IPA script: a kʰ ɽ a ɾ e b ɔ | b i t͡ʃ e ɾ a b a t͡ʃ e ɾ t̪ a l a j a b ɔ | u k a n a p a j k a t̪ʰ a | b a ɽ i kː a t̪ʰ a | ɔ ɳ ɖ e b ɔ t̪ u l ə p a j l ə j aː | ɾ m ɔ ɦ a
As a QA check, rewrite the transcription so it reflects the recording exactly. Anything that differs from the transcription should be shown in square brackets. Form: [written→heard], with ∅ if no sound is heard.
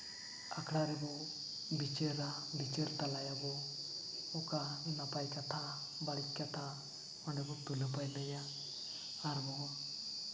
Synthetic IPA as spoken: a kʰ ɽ a ɾ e b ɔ | b i t͡ʃ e ɾ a b [a→i] t͡ʃ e ɾ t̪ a l a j a b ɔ | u k a n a p a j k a t̪ʰ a | b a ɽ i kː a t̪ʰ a | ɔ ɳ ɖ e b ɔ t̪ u l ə p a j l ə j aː | ɾ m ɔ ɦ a